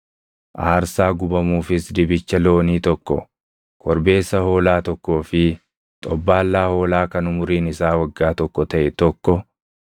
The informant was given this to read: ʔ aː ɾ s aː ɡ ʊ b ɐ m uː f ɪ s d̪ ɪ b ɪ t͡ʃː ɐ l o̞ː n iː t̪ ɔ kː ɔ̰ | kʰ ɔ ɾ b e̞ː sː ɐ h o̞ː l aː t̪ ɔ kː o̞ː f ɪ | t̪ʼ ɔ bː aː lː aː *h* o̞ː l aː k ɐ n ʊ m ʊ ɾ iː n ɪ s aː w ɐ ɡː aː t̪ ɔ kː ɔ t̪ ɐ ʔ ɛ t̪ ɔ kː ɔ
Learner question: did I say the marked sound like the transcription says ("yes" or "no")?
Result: yes